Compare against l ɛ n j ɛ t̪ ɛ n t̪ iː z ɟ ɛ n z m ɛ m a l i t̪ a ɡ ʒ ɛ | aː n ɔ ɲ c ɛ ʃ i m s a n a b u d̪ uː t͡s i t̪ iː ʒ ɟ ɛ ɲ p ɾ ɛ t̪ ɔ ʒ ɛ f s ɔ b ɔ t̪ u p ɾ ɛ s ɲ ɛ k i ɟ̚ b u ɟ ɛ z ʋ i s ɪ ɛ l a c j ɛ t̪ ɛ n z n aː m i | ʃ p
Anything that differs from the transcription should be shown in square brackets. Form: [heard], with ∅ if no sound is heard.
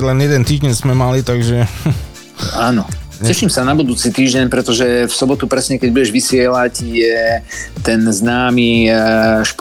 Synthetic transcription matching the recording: l ɛ n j ɛ [d̪] ɛ n t̪ iː [ʒ] ɟ ɛ n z m ɛ m a l i t̪ a ɡ ʒ ɛ | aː n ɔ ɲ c ɛ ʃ i m s a n a b u d̪ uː t͡s i t̪ iː ʒ ɟ ɛ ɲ p ɾ ɛ t̪ ɔ ʒ ɛ f s ɔ b ɔ t̪ u p ɾ ɛ s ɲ ɛ k [ɛ] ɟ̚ b u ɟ ɛ [ʒ] ʋ i s ɪ ɛ l a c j ɛ t̪ ɛ n z n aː m i | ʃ p